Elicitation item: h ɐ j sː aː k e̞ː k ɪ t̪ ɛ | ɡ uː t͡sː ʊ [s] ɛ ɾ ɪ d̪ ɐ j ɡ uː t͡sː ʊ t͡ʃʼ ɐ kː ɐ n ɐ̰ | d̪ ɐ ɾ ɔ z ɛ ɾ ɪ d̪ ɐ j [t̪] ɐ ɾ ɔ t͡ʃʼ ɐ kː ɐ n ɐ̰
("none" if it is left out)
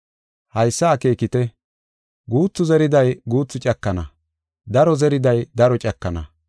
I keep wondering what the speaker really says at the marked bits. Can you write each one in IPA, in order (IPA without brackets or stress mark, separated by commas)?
z, d̪